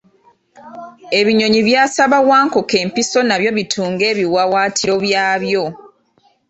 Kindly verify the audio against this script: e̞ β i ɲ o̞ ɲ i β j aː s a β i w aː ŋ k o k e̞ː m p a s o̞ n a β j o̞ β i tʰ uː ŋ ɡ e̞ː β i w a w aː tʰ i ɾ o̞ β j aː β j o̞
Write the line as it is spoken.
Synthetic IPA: e̞ β i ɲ o̞ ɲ i β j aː s a β a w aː ŋ k o k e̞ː m p i s o̞ n a β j o̞ β i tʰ uː ŋ ɡ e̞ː β i w a w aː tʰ i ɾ o̞ β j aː β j o̞